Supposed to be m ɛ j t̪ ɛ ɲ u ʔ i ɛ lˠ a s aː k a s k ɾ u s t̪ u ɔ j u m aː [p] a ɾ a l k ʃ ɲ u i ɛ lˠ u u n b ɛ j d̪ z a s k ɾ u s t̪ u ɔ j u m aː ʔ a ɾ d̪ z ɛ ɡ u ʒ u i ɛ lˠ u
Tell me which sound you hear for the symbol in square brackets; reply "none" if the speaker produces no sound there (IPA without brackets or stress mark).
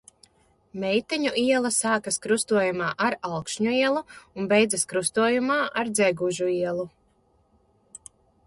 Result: ʔ